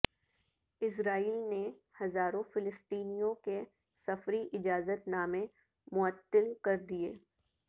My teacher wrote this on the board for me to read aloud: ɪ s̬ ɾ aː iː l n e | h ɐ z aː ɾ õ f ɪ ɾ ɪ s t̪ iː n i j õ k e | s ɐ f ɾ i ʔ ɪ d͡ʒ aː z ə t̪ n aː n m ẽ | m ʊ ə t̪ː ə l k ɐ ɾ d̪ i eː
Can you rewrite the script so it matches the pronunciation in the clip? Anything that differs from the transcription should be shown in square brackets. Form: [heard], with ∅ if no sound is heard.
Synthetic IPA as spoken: ɪ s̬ ɾ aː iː l n e | h ɐ z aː ɾ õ f ɪ [l] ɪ s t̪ iː n i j õ k e | s ɐ f ɾ i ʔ ɪ d͡ʒ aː z ə t̪ n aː [∅] m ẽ | m ʊ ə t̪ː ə l k ɐ ɾ d̪ i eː